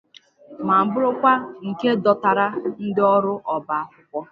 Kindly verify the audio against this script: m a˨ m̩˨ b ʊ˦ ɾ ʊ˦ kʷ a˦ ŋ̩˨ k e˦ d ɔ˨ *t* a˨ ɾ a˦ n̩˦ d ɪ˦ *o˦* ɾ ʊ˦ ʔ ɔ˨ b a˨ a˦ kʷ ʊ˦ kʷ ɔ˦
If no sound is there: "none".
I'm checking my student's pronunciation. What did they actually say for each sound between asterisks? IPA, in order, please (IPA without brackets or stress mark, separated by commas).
t, ɔ˦